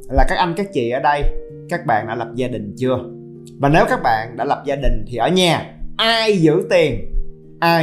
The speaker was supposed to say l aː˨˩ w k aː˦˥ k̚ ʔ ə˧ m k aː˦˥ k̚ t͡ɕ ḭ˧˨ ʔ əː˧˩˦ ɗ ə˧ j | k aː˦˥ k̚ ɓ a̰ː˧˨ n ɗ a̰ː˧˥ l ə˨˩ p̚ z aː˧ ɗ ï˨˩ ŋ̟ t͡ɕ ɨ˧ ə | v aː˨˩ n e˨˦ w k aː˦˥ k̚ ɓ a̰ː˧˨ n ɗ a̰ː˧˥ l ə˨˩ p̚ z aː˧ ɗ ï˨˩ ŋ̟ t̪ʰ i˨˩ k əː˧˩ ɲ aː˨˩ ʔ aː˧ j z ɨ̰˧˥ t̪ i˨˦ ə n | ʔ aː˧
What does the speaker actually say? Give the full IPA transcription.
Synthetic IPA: l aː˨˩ k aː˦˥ k̚ ʔ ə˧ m k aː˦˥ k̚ t͡ɕ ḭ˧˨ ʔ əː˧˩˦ ɗ ə˧ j | k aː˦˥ k̚ ɓ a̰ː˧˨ n ɗ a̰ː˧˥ l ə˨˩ p̚ z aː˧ ɗ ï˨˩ ŋ̟ t͡ɕ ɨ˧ ə | v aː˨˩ n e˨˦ w k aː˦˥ k̚ ɓ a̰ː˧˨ n ɗ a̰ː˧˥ l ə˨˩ p̚ z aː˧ ɗ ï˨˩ ŋ̟ t̪ʰ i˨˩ ʔ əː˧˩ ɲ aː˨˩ ʔ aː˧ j z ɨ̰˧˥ t̪ i˨˩ ə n | ʔ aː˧